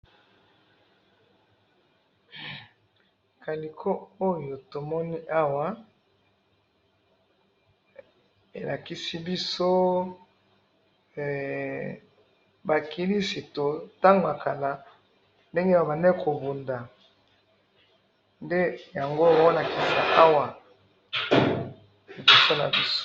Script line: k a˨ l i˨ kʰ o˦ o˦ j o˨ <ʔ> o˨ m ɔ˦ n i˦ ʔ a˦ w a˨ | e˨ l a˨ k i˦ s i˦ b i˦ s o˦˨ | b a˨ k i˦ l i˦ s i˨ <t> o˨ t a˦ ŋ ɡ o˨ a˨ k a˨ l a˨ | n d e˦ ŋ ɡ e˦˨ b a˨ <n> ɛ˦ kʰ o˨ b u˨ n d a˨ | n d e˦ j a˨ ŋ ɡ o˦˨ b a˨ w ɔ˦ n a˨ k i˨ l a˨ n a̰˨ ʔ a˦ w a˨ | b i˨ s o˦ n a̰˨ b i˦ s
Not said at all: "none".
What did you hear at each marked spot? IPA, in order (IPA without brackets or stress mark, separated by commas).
t, t, n